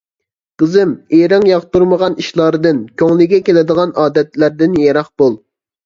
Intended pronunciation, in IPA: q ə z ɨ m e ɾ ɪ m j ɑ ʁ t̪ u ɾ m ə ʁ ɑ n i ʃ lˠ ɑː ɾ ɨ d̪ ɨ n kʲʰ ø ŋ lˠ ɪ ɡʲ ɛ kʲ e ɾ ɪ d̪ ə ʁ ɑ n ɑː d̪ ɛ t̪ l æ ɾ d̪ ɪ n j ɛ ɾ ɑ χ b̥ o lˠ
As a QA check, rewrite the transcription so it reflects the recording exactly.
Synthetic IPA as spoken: q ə z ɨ m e ɾ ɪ ŋ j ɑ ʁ t̪ u ɾ m ə ʁ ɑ n i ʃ lˠ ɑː ɾ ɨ d̪ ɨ n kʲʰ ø ŋ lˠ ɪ ɡʲ ɛ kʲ e l ɪ d̪ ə ʁ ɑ n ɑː d̪ ɛ t̪ l æ ɾ d̪ ɪ n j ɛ ɾ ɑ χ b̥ o lˠ